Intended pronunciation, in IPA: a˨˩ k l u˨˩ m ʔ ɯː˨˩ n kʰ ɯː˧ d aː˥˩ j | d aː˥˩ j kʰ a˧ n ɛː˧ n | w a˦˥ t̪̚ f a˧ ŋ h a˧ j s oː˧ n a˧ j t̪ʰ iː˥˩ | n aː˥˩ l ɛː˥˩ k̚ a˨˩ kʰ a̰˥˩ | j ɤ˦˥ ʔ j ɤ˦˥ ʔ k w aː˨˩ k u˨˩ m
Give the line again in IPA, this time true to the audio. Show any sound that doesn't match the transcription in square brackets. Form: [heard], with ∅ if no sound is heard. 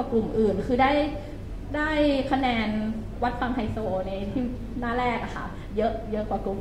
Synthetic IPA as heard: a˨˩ k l u˨˩ m ʔ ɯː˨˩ n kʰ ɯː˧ d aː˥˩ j | d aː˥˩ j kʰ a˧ n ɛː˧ n | w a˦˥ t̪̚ f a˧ ŋ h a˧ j s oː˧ n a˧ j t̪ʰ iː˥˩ | n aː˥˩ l ɛː˥˩ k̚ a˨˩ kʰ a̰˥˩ | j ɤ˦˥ ʔ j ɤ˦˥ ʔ k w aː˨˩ k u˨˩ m